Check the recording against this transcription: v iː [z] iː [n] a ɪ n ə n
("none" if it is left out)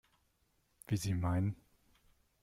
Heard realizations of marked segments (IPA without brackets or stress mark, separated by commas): z, m